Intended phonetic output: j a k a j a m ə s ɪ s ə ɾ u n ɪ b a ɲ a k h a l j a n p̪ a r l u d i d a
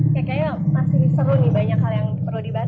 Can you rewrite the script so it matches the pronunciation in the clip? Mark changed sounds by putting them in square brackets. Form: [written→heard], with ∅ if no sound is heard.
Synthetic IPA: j a k a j a m [ə→a] s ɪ s ə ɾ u n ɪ b a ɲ a k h a l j a [n→ŋ] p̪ [a→ə] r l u d i [d→b] a